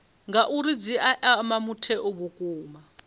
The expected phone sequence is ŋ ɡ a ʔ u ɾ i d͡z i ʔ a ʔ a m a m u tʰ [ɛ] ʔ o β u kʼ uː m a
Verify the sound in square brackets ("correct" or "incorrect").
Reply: correct